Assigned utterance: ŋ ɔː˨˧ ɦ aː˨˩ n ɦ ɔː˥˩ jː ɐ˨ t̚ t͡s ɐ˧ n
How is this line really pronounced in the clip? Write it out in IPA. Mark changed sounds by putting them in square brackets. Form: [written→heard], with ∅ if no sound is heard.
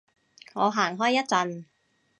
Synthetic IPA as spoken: ŋ ɔː˨˧ ɦ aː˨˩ [n→ŋ] ɦ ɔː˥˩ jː [ɐ˨→ɐ˥] t̚ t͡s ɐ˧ n